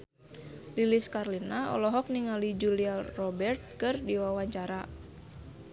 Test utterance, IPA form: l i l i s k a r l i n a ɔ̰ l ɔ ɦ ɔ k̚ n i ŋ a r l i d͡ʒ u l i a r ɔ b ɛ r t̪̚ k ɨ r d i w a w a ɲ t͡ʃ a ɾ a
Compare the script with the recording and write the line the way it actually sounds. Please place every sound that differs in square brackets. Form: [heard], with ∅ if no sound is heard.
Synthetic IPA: l i l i s k a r l i n a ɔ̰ l ɔ ɦ ɔ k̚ n i ŋ a [∅] l i d͡ʒ u l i a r ɔ b ɛ r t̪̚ k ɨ r d i w a w a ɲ t͡ʃ a ɾ a